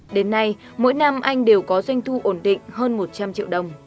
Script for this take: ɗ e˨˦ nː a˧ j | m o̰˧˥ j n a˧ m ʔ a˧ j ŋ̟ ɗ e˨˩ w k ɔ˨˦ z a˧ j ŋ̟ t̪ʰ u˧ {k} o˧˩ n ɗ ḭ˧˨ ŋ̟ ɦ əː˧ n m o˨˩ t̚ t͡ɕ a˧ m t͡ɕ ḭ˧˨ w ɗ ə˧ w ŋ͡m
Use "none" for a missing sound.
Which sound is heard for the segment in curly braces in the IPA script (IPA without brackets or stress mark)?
ʔ